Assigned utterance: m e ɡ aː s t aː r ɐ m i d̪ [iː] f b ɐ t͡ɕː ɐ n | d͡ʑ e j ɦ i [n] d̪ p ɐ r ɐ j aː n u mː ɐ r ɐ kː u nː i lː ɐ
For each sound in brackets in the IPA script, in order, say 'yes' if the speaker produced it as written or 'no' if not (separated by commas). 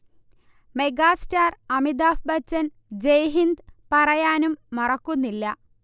no, yes